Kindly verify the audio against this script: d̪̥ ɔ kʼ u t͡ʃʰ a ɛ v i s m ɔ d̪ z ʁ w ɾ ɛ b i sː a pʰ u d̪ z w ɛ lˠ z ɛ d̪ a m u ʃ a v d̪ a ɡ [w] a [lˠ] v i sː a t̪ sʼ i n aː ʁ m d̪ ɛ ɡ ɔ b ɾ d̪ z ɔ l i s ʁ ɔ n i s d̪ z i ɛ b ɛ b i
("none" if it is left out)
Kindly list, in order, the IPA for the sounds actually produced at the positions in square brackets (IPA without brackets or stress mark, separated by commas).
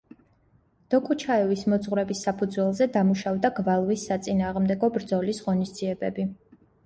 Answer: v, lˠ